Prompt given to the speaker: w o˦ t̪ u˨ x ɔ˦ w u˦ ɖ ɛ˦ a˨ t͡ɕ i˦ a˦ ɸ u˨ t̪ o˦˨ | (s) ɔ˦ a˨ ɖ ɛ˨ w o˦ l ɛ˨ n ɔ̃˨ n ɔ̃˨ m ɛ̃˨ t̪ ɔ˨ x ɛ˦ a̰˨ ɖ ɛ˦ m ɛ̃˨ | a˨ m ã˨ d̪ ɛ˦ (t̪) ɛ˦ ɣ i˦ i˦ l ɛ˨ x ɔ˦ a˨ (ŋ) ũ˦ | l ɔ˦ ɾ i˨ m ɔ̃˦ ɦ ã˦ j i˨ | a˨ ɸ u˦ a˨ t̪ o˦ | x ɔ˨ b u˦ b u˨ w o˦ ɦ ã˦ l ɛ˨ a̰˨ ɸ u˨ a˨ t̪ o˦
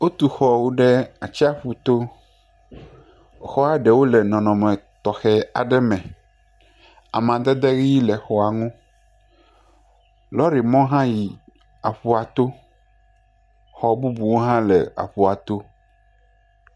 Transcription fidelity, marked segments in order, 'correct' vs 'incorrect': incorrect: x, incorrect: d̪, correct

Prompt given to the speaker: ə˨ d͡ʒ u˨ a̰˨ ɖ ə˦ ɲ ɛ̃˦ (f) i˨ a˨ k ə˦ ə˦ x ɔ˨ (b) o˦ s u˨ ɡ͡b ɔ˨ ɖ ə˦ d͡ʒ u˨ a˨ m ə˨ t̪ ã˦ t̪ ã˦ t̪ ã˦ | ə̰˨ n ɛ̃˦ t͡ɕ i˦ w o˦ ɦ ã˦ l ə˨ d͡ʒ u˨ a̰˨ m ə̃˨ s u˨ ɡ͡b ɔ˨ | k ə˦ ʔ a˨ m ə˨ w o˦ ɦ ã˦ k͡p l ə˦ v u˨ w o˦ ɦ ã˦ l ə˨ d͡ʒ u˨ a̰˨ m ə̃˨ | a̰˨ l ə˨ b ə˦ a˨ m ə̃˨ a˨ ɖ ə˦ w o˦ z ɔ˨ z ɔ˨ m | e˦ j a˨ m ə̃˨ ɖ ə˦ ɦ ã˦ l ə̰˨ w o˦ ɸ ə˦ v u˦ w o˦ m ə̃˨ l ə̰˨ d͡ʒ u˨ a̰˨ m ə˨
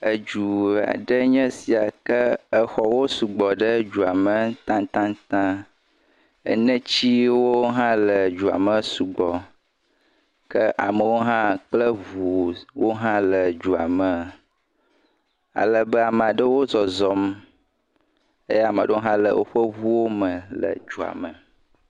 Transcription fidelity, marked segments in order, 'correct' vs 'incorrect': incorrect: s, incorrect: w

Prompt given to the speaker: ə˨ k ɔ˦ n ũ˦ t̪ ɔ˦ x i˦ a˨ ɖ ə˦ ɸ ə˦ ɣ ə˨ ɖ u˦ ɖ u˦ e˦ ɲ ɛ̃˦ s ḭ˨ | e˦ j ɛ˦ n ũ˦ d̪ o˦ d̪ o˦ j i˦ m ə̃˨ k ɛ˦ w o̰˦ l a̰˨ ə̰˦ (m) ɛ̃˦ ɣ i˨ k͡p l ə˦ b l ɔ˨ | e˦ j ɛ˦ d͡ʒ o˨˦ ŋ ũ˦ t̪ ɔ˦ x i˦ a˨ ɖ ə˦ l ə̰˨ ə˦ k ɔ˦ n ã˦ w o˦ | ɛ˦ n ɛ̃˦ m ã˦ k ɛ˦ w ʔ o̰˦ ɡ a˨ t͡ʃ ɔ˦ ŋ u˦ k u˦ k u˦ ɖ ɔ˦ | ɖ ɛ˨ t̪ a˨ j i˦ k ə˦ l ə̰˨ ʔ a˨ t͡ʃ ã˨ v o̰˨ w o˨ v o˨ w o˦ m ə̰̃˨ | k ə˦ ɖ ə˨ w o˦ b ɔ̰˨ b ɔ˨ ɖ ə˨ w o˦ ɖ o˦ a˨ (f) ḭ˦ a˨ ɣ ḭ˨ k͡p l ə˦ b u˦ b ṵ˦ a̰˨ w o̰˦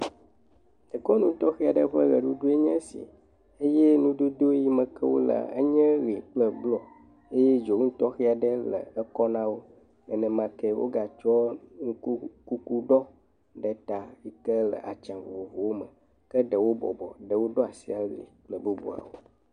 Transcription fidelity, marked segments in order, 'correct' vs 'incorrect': incorrect: ɲ, incorrect: s

